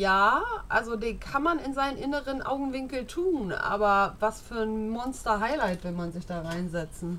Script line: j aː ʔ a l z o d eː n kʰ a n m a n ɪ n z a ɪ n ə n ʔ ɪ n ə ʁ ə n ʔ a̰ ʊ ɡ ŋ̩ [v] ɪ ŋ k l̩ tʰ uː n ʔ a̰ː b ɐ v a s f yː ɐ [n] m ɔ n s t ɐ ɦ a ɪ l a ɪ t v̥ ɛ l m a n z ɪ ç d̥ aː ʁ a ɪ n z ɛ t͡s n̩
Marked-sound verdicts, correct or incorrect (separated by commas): correct, correct